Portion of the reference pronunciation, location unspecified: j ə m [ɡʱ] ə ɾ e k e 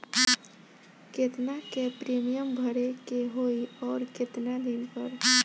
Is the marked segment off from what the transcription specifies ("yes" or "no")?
yes